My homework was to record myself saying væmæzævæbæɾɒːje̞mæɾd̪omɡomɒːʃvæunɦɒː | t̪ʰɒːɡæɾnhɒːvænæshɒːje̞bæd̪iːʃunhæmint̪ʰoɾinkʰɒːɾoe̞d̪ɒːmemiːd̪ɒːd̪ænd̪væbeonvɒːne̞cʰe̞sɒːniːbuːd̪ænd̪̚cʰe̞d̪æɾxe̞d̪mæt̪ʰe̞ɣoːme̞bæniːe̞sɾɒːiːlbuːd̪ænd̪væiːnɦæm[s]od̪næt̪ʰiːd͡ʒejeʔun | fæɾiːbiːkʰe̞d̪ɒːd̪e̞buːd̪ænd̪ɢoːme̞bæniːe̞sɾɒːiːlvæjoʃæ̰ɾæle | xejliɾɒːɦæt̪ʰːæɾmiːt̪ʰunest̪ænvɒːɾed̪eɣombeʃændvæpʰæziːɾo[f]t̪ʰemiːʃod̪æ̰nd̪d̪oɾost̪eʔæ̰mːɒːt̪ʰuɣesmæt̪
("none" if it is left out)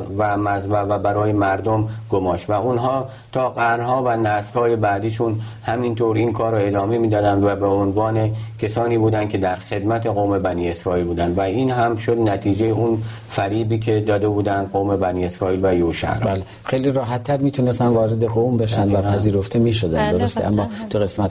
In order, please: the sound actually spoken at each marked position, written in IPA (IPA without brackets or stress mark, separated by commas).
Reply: ʃ, f